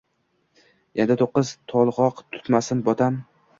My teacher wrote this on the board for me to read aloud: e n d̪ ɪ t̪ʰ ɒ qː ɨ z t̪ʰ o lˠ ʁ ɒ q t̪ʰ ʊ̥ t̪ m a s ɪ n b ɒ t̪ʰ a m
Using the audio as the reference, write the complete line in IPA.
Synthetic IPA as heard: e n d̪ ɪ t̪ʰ o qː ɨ z t̪ʰ ɒ lˠ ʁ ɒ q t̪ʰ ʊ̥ t̪ m a s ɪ n b ɒ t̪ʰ a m